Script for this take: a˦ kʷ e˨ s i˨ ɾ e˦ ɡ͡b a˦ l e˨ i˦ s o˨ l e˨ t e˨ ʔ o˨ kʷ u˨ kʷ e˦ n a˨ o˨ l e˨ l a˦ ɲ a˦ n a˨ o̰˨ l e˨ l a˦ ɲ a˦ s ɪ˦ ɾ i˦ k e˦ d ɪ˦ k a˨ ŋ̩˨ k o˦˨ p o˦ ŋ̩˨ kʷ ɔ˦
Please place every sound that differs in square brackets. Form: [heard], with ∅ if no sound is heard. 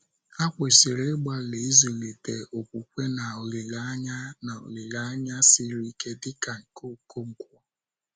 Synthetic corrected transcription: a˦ kʷ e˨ s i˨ ɾ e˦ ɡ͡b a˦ l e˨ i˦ [z] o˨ l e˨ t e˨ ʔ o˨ kʷ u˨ kʷ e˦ n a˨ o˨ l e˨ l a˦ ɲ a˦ n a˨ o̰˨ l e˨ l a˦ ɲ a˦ s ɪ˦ ɾ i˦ k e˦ d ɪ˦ k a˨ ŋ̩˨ k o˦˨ [k] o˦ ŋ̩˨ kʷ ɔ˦